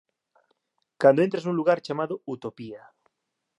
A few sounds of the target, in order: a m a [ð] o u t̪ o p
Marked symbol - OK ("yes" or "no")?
yes